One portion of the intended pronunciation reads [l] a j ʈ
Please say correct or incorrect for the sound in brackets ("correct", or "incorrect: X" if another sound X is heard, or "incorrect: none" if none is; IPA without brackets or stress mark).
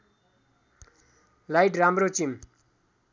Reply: correct